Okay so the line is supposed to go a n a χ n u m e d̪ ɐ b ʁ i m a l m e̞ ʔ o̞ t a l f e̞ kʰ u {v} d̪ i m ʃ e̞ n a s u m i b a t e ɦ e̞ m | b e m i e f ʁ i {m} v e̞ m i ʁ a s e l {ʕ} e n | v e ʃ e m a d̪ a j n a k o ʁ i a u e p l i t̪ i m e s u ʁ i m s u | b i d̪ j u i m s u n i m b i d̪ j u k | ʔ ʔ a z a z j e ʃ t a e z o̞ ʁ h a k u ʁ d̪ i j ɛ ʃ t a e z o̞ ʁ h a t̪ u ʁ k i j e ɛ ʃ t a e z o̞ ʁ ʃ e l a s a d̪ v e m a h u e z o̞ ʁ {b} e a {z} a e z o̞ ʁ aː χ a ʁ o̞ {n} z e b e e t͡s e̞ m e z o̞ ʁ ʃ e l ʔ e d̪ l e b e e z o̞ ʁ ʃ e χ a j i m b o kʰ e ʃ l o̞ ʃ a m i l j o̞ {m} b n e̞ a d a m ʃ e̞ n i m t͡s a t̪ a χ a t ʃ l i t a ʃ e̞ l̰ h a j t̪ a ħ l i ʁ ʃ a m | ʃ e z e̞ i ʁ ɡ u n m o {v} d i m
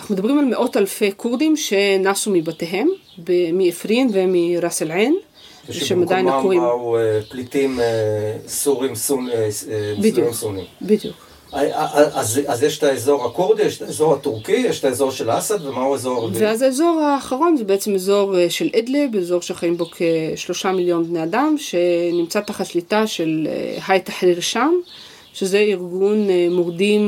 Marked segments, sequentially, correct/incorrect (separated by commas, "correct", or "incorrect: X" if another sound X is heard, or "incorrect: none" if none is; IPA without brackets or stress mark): incorrect: ʁ, incorrect: n, correct, incorrect: v, correct, correct, incorrect: n, incorrect: ʁ